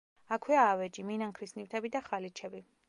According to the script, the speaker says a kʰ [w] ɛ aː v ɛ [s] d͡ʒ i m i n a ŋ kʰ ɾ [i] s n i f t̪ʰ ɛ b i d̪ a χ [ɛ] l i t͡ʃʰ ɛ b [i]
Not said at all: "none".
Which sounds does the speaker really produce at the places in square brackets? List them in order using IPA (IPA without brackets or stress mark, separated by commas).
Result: w, none, i, a, i